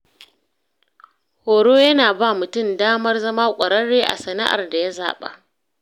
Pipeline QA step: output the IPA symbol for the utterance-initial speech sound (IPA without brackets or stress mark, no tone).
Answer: h